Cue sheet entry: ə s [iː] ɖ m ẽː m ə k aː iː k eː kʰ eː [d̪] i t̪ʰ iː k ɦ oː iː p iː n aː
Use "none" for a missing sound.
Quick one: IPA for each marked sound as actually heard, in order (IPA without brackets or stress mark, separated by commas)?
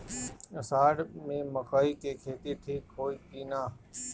aː, t̪